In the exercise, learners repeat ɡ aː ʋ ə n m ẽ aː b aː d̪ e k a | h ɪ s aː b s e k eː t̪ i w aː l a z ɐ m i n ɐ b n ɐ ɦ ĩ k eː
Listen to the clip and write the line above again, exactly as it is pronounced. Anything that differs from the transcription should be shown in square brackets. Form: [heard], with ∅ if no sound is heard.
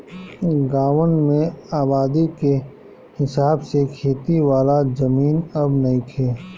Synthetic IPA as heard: ɡ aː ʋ ə n m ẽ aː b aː d̪ [i] k [e] | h ɪ s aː b s e [kʰ] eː t̪ i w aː l a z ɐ m [iː] n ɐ b n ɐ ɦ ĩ [kʰ] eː

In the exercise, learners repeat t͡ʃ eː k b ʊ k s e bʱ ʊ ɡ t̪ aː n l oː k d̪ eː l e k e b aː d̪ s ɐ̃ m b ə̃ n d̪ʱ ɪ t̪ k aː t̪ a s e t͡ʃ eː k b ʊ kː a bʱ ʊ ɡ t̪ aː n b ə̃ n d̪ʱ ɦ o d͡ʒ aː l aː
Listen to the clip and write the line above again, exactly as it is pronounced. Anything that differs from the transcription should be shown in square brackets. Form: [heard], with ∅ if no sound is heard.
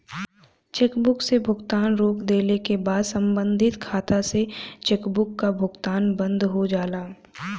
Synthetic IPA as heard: t͡ʃ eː k b ʊ k s e bʱ ʊ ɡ t̪ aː n [ɾ] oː k d̪ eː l e k e b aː d̪ s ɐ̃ m b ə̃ n d̪ʱ ɪ t̪ [kʰ] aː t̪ a s e t͡ʃ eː k b ʊ kː a bʱ ʊ ɡ t̪ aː n b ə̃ n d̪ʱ ɦ o d͡ʒ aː l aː

